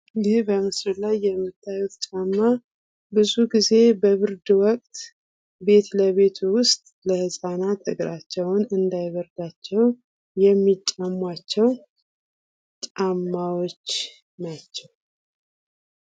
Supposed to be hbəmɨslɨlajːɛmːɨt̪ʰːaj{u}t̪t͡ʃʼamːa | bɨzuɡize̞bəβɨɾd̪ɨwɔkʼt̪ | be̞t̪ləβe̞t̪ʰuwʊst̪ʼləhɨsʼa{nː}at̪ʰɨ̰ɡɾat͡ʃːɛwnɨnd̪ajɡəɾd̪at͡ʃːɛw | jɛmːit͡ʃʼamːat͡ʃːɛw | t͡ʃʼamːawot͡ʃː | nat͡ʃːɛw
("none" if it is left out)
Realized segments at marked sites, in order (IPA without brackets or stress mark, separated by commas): u, n